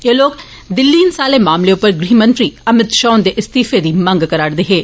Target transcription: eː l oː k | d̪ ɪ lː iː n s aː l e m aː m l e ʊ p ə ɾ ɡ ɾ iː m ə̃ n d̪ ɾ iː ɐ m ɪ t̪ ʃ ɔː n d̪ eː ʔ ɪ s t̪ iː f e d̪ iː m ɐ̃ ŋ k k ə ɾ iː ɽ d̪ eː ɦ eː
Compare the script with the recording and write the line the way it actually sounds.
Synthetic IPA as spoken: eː l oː k | d̪ ɪ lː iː n s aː l e m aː m l e ʊ p ə ɾ ɡ ɾ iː m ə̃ n t̪ ɾ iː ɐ m ɪ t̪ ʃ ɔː n d̪ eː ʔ ɪ s t̪ iː f e d̪ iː m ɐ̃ ŋ ɡ k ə ɾ aː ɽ d̪ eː ɦ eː